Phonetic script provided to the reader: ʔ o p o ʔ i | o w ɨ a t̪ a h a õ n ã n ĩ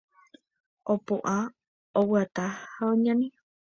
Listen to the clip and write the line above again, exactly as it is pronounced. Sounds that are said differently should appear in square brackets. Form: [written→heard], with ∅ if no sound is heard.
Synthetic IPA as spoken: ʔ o p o ʔ [i→a] | o w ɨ a t̪ a h a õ [n→ɲ] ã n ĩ